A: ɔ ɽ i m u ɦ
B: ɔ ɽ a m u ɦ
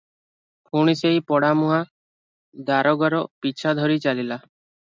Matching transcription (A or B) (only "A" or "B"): B